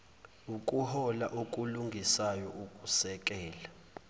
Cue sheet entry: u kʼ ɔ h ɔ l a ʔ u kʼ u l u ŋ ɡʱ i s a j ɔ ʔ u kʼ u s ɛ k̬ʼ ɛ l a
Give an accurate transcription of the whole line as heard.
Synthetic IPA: u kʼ u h ɔ l a ʔ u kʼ u l u ŋ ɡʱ i s a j ɔ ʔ u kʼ u s ɛ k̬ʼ ɛː l a